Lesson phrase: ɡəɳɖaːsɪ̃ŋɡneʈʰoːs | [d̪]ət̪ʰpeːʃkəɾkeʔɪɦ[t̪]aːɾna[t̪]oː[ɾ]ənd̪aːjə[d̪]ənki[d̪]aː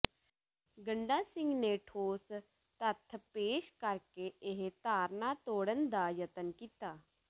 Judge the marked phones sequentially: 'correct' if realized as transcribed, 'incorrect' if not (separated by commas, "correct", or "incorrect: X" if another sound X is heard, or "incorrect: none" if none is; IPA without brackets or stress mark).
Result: incorrect: t̪, correct, correct, incorrect: ɽ, incorrect: t̪, incorrect: t̪